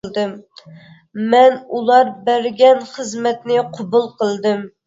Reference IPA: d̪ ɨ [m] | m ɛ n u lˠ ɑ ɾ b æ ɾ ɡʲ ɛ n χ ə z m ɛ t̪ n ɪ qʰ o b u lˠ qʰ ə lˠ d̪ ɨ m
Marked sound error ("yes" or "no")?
no